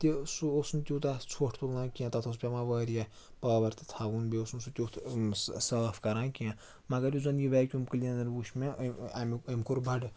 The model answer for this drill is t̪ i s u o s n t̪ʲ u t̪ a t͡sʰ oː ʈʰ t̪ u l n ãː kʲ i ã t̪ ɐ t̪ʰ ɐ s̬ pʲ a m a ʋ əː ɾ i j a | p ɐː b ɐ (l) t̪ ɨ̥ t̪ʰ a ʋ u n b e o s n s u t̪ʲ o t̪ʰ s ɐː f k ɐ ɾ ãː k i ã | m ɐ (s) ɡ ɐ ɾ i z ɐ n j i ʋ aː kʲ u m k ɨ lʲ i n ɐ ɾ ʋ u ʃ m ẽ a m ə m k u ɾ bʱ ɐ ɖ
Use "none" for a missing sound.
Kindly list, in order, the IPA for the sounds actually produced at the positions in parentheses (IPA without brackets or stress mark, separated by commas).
ɾ, none